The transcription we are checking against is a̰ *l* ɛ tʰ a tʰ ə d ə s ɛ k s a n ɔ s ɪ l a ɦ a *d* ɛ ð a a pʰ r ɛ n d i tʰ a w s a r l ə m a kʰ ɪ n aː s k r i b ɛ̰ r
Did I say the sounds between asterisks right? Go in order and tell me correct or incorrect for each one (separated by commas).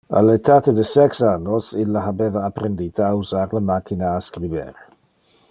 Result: correct, incorrect